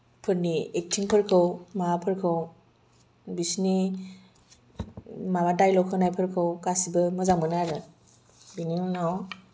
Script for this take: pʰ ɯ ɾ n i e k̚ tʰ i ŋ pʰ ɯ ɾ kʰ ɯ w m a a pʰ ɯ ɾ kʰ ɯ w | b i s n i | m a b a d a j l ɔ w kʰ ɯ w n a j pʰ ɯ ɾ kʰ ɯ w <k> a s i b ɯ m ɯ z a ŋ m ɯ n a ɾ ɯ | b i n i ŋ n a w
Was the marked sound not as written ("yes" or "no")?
no